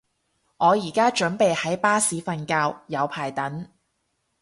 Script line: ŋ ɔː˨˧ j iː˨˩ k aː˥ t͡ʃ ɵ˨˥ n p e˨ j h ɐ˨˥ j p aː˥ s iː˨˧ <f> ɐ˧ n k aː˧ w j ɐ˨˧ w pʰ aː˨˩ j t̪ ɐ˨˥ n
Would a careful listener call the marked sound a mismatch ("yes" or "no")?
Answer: no